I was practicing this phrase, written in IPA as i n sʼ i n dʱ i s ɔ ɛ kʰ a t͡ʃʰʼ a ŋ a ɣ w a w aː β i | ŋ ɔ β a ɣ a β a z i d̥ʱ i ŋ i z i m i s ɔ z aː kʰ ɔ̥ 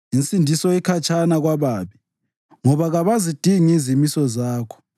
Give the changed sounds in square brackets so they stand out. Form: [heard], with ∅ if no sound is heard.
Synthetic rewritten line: i n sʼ i n dʱ i s ɔ ɛ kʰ a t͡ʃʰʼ a [n] a ɣ w a [β] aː β i | ŋ ɔ β a ɣ a β a z i d̥ʱ i ŋ i z i m i s ɔ z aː kʰ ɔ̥